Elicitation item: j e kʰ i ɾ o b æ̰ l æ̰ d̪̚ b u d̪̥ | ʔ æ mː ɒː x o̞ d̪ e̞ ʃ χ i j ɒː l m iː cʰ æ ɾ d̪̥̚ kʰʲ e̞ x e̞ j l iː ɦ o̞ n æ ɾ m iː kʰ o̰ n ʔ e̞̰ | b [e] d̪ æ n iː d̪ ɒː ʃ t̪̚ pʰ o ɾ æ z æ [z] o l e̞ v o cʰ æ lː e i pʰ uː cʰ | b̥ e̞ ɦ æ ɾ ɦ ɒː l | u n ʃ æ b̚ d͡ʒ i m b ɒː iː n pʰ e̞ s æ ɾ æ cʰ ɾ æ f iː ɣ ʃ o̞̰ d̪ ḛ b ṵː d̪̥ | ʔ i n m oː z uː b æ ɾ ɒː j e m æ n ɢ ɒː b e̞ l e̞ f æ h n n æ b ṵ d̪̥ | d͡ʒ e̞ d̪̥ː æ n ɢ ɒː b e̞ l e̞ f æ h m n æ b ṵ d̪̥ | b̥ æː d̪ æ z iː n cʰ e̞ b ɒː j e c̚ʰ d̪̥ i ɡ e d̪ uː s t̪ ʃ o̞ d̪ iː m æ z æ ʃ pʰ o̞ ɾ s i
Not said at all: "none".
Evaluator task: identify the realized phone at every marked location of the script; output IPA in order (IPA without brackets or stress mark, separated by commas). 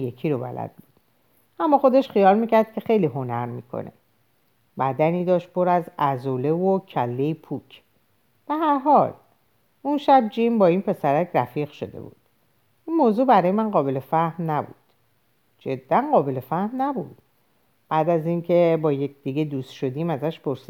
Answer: æ, z